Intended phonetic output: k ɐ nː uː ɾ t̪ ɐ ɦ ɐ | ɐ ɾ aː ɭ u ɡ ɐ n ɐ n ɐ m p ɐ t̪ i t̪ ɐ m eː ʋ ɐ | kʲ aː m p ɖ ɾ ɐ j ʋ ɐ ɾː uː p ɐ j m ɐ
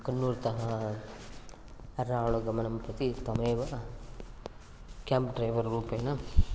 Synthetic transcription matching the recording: k ɐ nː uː ɾ t̪ ɐ ɦ ɐ | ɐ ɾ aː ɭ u ɡ ɐ m ɐ n ɐ m p ɐ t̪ i t̪ ɐ m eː ʋ ɐ | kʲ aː m p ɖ ɾ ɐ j ʋ ɐ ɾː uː p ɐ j n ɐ

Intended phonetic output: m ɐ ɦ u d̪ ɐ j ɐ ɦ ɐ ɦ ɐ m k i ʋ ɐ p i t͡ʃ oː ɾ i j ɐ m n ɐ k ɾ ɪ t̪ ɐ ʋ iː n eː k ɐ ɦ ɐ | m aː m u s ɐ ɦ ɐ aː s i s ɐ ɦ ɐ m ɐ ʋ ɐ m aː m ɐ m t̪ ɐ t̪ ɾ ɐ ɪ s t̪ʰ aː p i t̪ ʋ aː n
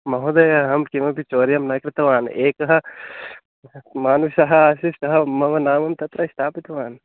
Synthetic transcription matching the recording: m ɐ ɦ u d̪ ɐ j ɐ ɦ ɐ ɦ ɐ m k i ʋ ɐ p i t͡ʃ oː ɾ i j ɐ m n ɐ k ɾ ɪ t̪ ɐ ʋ aː n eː k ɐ ɦ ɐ | m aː n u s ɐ ɦ ɐ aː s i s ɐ ɦ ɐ m ɐ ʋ ɐ n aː m ɐ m t̪ ɐ t̪ ɾ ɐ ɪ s t̪ʰ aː p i t̪ ʋ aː n

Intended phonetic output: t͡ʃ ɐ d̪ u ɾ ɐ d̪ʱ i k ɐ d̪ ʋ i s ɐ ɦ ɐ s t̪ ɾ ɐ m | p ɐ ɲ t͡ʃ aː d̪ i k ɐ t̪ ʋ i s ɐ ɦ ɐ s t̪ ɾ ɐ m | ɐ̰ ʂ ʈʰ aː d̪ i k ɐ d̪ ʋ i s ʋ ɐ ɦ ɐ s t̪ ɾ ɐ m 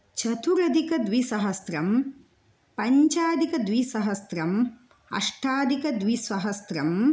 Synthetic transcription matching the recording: t͡ʃ ɐ t̪ u ɾ ɐ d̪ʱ i k ɐ d̪ ʋ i s ɐ ɦ ɐ s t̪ ɾ ɐ m | p ɐ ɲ t͡ʃ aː d̪ i k ɐ d̪ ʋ i s ɐ ɦ ɐ s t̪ ɾ ɐ m | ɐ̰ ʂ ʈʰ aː d̪ i k ɐ d̪ ʋ i s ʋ ɐ ɦ ɐ s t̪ ɾ ɐ m

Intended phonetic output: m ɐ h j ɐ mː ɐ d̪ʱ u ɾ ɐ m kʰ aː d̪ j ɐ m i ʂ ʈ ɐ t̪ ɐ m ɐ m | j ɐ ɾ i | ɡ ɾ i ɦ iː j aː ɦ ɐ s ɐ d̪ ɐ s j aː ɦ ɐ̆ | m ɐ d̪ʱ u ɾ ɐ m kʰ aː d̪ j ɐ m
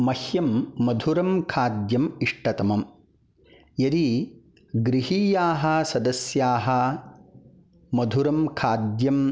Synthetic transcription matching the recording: m ɐ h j ɐ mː ɐ d̪ʱ u ɾ ɐ m kʰ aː d̪ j ɐ m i ʂ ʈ ɐ t̪ ɐ m ɐ m | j ɐ ɾ i | ɡ ɾ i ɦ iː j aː ɦ ɐ s ɐ d̪ ɐ s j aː ɦ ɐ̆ | m ɐ d̪ʱ u ɾ ɐ m kʰ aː d̪ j ɐ m

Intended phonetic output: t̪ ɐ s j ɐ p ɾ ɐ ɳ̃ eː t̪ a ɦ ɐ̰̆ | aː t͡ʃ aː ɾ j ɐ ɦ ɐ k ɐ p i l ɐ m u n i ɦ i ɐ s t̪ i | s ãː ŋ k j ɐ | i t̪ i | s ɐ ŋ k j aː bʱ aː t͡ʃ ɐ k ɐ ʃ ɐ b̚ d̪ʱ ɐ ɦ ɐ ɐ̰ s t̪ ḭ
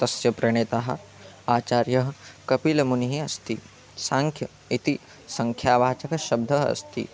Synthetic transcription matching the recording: t̪ ɐ s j ɐ p ɾ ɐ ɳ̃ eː t̪ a ɦ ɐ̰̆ | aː t͡ʃ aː ɾ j ɐ ɦ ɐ k ɐ p i l ɐ m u n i ɦ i ɐ s t̪ i | s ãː ŋ kʰ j ɐ | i t̪ i | s ɐ ŋ kʰ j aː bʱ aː t͡ʃ ɐ k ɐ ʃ ɐ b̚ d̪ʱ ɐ ɦ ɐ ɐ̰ s t̪ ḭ

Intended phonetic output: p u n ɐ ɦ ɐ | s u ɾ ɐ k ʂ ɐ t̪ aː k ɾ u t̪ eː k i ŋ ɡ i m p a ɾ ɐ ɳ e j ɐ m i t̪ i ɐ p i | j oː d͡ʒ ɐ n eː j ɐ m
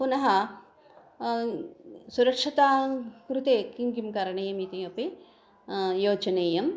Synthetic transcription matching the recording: p u n ɐ ɦ ɐ | s u ɾ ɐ k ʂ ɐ t̪ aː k ɾ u t̪ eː k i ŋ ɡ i m k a ɾ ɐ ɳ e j ɐ m i t̪ i ɐ p i | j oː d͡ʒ ɐ n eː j ɐ m

